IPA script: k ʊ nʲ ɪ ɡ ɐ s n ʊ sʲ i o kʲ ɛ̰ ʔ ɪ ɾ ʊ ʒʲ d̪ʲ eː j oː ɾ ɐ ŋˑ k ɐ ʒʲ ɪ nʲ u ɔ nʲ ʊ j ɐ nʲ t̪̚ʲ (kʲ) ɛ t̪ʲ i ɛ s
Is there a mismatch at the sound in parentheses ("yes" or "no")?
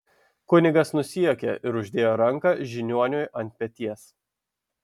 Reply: yes